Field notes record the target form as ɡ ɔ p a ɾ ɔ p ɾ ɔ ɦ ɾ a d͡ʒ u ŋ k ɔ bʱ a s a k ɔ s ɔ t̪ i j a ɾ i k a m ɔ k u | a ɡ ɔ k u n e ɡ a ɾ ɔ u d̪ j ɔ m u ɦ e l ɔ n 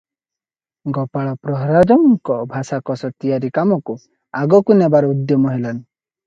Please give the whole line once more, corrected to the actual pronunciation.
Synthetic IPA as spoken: ɡ ɔ p a ɭ ɔ p ɾ ɔ ɦ ɾ a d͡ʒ ɔ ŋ k ɔ bʱ a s a k ɔ s ɔ t̪ i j a ɾ i k a m ɔ k u | a ɡ ɔ k u n e b a ɾ ɔ u d̪ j ɔ m ɔ ɦ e l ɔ n